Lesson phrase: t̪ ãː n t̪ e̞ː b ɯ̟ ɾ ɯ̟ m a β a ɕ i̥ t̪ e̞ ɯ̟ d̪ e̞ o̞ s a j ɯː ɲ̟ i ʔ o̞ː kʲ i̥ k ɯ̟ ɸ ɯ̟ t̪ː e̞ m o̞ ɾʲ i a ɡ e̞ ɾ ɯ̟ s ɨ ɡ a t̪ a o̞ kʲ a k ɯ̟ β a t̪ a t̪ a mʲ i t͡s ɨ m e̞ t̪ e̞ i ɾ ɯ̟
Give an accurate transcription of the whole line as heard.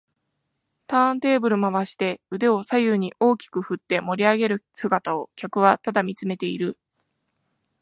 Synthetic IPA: t̪ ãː n t̪ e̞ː b ɯ̟ ɾ ɯ̟ m a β a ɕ i̥ t̪ e̞ ɯ̟ d̪ e̞ o̞ s a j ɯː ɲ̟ i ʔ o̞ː kʲ i̥ k ɯ̟ ɸ ɯ̟ t̪ː e̞ m o̞ ɾʲ i a ɡ e̞ ɾ ɯ̟ s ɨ ɡ a t̪ a o̞ kʲ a k ɯ̟ β a t̪ a d̪ a mʲ i t͡s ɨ m e̞ t̪ e̞ i ɾ ɯ̟